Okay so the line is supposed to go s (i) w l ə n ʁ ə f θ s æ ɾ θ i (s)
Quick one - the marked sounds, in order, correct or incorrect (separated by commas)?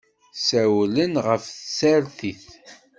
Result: incorrect, incorrect